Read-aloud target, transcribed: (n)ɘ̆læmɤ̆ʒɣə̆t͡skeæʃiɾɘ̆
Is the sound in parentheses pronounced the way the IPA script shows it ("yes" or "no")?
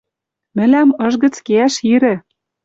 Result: no